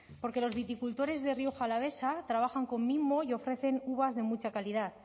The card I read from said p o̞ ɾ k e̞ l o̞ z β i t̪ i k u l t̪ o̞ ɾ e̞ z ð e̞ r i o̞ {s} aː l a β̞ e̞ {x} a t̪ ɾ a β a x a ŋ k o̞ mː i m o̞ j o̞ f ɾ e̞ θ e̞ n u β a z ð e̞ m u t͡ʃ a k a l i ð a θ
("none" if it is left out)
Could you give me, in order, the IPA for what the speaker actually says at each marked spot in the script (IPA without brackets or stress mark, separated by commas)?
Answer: x, s